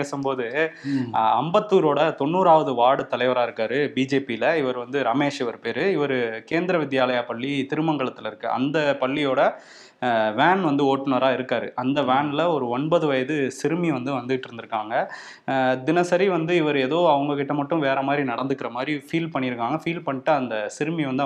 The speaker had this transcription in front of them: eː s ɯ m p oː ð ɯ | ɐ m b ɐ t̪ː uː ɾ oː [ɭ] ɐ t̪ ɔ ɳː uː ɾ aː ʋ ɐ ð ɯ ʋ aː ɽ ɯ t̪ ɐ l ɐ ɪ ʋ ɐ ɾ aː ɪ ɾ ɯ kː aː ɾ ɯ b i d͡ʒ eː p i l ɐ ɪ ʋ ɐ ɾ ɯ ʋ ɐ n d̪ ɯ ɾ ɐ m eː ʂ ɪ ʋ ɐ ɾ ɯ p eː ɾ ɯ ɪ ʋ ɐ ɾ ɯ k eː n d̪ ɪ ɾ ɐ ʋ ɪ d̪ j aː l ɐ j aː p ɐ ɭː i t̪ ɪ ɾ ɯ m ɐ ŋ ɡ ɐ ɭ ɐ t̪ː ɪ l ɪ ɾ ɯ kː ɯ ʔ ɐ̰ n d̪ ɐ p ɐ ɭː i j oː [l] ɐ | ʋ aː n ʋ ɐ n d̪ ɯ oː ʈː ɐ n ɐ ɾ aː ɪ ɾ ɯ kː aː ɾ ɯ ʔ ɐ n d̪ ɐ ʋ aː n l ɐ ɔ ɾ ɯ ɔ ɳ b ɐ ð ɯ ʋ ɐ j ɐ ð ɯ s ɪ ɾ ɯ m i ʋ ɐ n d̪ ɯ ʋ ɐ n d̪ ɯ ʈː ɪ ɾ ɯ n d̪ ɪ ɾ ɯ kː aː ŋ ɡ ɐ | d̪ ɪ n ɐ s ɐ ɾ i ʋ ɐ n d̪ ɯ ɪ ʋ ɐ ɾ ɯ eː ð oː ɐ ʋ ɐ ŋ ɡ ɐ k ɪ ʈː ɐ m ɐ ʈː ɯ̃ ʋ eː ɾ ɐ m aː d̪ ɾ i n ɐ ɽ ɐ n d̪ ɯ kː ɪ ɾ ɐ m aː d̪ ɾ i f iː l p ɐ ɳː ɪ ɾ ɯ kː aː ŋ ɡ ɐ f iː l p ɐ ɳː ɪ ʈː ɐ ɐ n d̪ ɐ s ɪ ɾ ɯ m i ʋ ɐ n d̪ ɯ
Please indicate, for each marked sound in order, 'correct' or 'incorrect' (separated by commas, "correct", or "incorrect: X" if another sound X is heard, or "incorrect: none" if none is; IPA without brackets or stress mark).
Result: incorrect: ɽ, incorrect: ɽ